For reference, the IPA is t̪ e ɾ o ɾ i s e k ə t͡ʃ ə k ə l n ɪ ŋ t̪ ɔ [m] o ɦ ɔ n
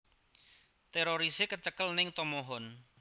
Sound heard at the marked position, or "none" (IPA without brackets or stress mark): m